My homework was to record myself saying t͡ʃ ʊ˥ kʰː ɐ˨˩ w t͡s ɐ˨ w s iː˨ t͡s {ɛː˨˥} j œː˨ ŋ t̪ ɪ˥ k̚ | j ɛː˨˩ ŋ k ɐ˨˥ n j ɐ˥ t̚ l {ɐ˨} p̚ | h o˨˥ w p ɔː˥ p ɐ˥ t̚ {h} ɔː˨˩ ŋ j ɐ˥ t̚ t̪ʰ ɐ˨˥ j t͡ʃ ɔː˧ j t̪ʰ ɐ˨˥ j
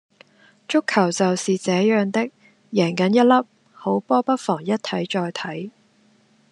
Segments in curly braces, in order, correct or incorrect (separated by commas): correct, incorrect, incorrect